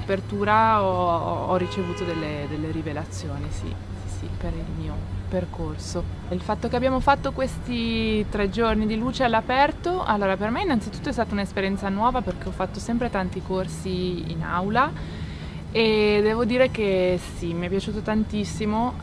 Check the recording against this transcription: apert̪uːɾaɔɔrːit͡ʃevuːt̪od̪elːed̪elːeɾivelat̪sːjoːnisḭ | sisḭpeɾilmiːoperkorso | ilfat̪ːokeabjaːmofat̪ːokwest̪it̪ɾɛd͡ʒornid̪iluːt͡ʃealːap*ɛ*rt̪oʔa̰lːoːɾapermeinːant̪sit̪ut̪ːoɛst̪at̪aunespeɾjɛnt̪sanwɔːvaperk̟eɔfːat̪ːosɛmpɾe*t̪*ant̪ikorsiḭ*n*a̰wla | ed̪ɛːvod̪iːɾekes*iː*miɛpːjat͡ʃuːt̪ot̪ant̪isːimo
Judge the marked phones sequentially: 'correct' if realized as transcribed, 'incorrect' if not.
correct, correct, correct, incorrect

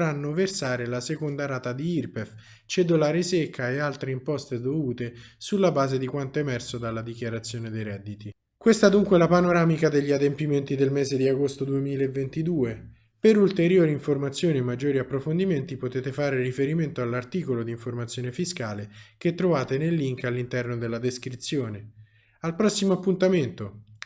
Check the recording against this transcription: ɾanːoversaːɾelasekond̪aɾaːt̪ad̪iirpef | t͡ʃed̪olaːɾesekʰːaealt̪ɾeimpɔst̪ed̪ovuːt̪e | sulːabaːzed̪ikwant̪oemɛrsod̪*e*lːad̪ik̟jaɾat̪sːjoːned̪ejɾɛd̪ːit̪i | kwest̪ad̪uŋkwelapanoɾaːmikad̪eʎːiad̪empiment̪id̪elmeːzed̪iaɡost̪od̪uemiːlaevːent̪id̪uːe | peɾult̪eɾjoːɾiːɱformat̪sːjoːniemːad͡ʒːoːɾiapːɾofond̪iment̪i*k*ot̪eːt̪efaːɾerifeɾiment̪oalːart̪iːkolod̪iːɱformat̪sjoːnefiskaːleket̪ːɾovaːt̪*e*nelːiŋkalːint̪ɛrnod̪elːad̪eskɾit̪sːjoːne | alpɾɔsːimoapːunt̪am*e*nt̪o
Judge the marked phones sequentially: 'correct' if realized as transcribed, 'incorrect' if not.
incorrect, incorrect, correct, correct

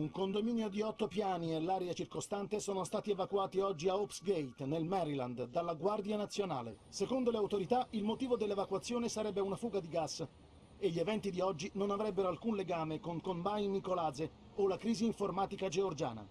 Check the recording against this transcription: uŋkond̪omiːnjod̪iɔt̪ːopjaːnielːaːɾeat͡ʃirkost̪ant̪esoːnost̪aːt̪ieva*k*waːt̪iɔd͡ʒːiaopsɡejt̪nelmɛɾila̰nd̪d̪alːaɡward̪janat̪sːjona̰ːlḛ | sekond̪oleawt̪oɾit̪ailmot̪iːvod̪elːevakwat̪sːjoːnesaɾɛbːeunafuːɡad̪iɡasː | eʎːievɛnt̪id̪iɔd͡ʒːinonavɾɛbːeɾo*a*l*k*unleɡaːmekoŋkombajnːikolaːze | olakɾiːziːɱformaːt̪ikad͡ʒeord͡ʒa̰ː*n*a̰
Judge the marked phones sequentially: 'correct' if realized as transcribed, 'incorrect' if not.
correct, correct, correct, correct

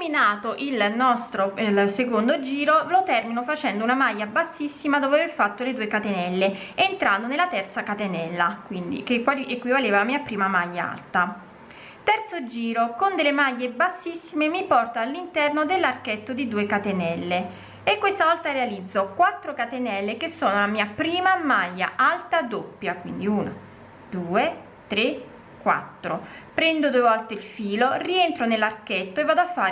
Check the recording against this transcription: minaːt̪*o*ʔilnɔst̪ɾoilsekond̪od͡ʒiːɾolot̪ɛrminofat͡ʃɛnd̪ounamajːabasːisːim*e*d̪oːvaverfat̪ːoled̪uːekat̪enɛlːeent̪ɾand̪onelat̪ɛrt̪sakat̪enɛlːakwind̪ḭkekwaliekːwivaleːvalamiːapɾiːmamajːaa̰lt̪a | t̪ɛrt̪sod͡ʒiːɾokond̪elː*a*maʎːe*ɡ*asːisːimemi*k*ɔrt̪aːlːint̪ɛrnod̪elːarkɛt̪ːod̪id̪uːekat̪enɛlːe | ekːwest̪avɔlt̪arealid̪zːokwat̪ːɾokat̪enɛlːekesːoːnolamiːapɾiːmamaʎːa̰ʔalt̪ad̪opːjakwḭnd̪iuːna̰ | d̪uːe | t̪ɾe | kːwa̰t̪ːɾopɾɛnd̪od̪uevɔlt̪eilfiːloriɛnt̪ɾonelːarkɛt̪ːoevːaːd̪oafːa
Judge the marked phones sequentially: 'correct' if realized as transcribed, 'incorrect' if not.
correct, incorrect, incorrect, incorrect, incorrect

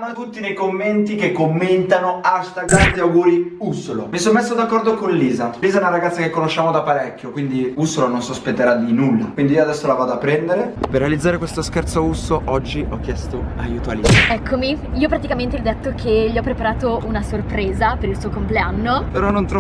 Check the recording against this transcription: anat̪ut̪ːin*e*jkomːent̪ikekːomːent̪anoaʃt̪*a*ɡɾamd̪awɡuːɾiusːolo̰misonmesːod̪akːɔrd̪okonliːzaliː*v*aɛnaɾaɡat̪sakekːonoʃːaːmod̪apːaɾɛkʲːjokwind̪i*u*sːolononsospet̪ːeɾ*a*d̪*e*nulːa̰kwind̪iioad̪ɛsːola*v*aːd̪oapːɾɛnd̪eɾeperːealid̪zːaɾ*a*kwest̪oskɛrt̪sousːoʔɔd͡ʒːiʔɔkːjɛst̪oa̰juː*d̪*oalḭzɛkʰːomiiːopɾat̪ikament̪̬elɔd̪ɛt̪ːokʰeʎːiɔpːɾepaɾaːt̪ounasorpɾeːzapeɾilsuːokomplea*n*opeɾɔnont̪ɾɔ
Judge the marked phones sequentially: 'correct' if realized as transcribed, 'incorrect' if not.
correct, correct, incorrect, correct, correct, incorrect, correct, incorrect, incorrect, incorrect

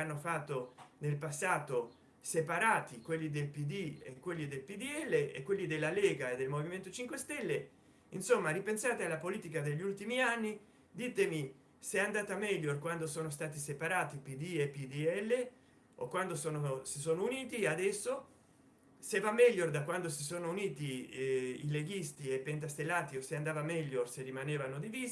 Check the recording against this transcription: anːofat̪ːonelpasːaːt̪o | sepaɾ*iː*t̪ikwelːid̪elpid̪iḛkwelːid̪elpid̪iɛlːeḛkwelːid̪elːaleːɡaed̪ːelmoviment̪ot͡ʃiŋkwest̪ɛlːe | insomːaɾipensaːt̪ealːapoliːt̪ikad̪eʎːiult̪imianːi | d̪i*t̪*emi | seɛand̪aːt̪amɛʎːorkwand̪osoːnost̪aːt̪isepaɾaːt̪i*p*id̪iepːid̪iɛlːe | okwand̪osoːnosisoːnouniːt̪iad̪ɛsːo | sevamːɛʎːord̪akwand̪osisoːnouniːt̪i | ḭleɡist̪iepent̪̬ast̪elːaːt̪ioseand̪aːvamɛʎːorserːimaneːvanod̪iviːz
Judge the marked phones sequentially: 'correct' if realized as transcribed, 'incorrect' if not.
incorrect, correct, correct

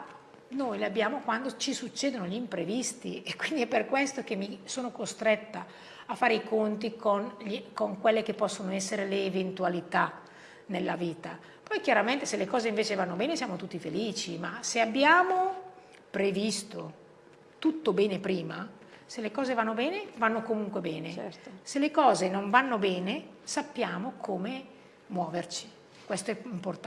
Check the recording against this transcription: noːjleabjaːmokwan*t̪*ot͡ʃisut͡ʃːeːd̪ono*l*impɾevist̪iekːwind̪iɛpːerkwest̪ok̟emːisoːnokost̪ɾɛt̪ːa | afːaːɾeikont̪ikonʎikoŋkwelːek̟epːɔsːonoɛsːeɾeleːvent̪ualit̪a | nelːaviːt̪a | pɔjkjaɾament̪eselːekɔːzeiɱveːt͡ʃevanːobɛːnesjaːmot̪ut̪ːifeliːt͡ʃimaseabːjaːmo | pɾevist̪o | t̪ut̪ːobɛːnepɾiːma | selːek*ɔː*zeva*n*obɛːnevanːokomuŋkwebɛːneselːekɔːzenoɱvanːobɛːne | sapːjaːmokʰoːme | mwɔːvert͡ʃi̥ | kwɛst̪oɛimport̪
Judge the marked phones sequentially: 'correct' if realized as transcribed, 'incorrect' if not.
incorrect, incorrect, correct, incorrect

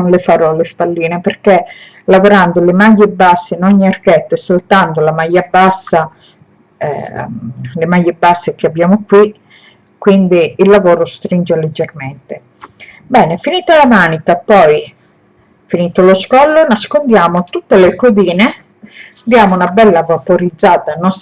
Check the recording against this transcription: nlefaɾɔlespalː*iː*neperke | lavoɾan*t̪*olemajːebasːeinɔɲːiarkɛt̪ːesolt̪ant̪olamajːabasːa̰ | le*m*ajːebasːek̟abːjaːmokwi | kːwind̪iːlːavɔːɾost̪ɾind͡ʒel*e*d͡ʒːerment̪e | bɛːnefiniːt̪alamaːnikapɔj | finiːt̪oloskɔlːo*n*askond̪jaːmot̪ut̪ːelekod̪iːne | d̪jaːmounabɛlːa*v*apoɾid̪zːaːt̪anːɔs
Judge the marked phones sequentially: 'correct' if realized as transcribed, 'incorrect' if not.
correct, incorrect, correct, correct, correct, correct

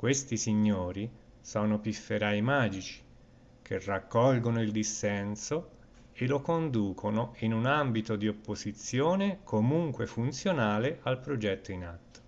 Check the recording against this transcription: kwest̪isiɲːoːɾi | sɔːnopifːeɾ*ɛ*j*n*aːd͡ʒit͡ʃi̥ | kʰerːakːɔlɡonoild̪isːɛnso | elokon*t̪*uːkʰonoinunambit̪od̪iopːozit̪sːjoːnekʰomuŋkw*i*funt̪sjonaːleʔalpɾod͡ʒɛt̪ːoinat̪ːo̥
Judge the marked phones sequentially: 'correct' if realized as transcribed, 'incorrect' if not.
incorrect, incorrect, incorrect, incorrect

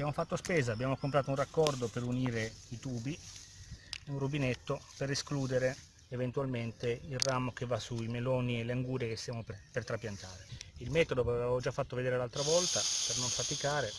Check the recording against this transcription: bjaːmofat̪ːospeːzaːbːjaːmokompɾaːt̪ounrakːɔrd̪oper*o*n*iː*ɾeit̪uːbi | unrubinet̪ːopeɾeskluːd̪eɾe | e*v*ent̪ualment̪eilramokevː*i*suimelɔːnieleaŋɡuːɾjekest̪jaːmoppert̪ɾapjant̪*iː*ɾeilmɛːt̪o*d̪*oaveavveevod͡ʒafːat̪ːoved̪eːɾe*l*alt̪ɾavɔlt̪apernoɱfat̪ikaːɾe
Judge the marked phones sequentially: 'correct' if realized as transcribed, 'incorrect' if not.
incorrect, correct, correct, incorrect, incorrect, correct, correct

